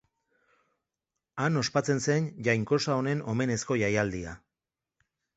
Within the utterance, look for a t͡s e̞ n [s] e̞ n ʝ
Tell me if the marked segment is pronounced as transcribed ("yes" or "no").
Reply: yes